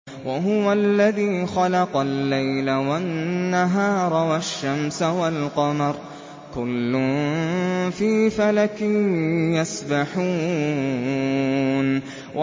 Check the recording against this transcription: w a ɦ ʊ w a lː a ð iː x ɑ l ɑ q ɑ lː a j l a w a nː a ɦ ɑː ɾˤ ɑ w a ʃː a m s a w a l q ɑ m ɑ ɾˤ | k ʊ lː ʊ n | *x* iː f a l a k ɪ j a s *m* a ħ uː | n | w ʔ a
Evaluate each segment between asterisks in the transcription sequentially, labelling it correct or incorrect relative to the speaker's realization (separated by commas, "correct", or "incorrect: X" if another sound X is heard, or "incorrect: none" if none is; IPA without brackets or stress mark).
incorrect: f, incorrect: b